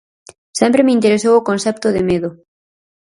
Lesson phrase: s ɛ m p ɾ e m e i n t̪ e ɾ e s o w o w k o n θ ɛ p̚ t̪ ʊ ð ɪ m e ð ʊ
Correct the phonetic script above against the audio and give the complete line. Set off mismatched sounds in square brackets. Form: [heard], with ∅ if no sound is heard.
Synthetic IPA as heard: s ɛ m p ɾ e m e i n t̪ e ɾ e s o w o [∅] k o n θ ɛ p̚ t̪ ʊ ð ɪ m e ð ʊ